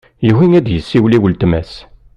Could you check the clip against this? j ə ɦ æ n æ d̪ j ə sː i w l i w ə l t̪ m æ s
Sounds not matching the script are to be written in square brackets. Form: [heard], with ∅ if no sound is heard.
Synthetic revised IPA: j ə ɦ [i] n æ d̪ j ə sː i w l i w ə l t̪ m æ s